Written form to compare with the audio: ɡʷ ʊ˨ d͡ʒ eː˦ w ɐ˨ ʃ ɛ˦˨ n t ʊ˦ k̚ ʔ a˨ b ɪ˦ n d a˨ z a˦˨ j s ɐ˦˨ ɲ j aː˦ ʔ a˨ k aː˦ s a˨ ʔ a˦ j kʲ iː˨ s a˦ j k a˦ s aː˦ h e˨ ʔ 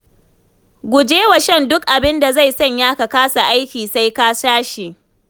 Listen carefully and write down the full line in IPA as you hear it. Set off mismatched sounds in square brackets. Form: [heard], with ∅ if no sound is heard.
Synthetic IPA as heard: ɡʷ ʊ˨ d͡ʒ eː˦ w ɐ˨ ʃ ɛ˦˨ n [d] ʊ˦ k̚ ʔ a˨ b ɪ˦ n d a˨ z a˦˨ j s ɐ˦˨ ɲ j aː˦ [k] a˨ k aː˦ s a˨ ʔ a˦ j kʲ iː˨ s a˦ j k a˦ s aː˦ [ʃ] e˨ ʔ